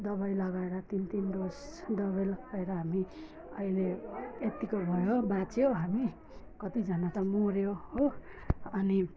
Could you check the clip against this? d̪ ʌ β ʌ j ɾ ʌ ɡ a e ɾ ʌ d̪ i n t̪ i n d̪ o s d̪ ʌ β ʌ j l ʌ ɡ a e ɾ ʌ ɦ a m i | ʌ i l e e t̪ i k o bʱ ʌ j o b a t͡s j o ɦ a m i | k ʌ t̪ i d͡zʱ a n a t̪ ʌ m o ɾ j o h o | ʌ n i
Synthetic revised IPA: d̪ ʌ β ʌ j l ʌ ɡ a e ɾ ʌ t̪ i n t̪ i n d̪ o s d̪ ʌ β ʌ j l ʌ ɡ a e ɾ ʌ ɦ a m i | ʌ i l e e t̪ i k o bʱ ʌ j o b a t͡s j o ɦ a m i | k ʌ t̪ i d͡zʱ ʌ n a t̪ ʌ m o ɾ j o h o | ʌ n i

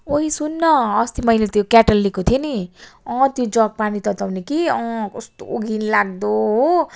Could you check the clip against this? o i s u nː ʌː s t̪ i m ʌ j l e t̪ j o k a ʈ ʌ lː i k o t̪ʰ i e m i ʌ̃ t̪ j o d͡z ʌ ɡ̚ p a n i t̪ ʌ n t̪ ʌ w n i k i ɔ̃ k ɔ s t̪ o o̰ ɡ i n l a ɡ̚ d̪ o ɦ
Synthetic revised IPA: o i s u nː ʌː s t̪ i m ʌ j l e t̪ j o k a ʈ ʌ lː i k o t̪ʰ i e n i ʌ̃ t̪ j o d͡z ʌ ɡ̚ p a n i t̪ ʌ t̪ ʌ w n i k i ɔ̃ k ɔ s t̪ o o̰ ɡ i n l a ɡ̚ d̪ o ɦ

